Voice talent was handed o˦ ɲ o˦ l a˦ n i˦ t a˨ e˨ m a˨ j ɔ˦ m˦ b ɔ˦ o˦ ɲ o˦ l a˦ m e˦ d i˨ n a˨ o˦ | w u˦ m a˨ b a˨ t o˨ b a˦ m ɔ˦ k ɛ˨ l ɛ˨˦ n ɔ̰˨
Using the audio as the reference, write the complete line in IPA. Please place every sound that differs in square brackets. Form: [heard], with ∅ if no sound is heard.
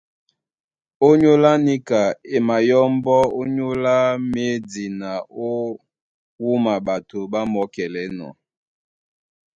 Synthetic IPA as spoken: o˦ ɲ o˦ l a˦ n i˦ [k] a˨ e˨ m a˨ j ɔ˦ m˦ b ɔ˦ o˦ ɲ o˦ l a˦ m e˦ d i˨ n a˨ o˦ | w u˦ m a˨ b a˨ t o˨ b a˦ m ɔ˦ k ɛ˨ l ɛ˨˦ n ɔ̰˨